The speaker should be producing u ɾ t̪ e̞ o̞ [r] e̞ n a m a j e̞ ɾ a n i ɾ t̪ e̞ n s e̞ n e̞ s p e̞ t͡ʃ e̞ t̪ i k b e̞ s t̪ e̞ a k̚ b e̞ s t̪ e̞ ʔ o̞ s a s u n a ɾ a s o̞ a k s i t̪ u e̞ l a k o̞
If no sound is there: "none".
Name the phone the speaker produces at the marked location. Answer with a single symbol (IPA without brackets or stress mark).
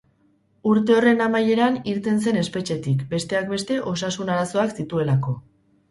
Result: r